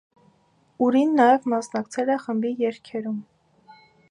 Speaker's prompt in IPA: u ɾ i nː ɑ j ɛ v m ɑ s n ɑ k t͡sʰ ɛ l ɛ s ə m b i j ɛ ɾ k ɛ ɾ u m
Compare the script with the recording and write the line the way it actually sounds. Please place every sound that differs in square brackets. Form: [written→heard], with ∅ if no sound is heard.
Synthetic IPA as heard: u ɾ i nː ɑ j ɛ v m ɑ s n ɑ k t͡sʰ ɛ l ɛ [s→χ] ə m b i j ɛ ɾ [k→kʰ] ɛ ɾ u m

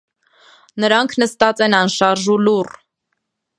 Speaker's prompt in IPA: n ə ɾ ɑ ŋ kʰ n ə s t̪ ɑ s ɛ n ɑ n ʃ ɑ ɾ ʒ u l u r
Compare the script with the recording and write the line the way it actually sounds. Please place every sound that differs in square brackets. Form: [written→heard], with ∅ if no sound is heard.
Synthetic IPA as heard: n ə ɾ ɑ ŋ kʰ n ə s t̪ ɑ [s→t͡s] ɛ n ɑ n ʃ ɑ ɾ ʒ u l u r

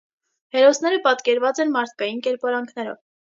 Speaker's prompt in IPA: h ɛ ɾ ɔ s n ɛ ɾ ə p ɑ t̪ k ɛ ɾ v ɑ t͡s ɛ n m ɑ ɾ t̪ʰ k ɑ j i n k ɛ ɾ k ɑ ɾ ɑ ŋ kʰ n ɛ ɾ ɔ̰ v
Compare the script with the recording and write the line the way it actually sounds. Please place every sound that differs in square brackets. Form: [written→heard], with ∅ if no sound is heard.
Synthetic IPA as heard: h ɛ ɾ ɔ s n ɛ ɾ ə p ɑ t̪ k ɛ ɾ v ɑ t͡s ɛ n m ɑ ɾ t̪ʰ k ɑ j i n k ɛ ɾ [k→p] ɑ ɾ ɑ ŋ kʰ n ɛ ɾ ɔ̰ v

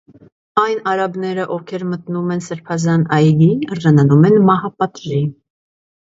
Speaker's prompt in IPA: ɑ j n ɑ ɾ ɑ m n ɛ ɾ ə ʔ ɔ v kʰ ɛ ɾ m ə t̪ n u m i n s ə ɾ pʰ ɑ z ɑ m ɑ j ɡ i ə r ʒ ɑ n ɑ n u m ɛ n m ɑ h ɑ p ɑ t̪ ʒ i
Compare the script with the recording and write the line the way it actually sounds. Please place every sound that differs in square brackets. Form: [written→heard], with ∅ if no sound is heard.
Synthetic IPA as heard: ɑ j n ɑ ɾ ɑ [m→b] n ɛ ɾ ə ʔ ɔ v kʰ ɛ ɾ m ə t̪ n u m [i→ɛ] n s ə ɾ pʰ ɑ z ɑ [m→n] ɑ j ɡ i ə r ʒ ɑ n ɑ n u m ɛ n m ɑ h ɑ p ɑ t̪ ʒ i

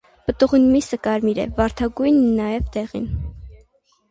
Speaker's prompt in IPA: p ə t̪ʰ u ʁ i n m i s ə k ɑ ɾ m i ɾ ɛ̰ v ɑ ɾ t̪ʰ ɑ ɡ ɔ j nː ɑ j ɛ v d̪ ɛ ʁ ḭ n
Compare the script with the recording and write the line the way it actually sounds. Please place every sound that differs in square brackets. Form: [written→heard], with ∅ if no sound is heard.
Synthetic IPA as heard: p ə [t̪ʰ→t̪] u ʁ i n m i s ə k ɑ ɾ m i ɾ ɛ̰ v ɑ ɾ t̪ʰ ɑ ɡ [ɔ→u] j nː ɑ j ɛ v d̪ ɛ ʁ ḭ n

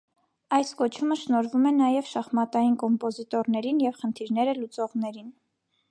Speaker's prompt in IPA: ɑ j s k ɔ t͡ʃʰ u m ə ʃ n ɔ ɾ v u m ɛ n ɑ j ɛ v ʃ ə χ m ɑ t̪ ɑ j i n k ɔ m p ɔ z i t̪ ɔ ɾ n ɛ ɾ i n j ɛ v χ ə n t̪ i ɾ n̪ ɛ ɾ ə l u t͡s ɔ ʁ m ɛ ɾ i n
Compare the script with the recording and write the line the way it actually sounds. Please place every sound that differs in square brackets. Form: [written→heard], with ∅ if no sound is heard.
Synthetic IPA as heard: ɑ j s k ɔ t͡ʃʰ u m ə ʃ n ɔ ɾ v u m ɛ n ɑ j ɛ v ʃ [ə→ɑ] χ m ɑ t̪ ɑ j i n k ɔ m p ɔ z i t̪ ɔ ɾ n ɛ ɾ i n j ɛ v χ ə n [t̪→t̪ʰ] i ɾ n̪ ɛ ɾ ə l u t͡s ɔ ʁ [m→n] ɛ ɾ i n

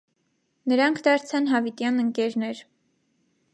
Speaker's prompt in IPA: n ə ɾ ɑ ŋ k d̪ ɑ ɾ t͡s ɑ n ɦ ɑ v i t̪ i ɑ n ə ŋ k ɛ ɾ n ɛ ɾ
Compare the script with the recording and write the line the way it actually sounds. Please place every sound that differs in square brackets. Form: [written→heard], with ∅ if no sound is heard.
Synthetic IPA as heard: n ə ɾ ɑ ŋ [k→kʰ] d̪ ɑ ɾ [t͡s→t͡sʰ] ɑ n ɦ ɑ v i t̪ [i→j] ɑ n ə ŋ k ɛ ɾ n ɛ ɾ

